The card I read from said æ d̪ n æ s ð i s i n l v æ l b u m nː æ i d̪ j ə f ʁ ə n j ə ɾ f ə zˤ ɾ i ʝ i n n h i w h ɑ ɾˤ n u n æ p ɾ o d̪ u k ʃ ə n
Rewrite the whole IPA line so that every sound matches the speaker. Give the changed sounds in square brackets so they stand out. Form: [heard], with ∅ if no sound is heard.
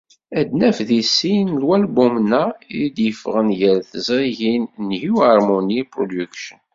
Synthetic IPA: æ d̪ n æ [f] ð i s i n l [w] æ l b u m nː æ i d̪ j ə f ʁ ə n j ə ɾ [θ] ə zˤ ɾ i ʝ i n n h i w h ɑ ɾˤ [m] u n [i] p ɾ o d̪ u k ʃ ə n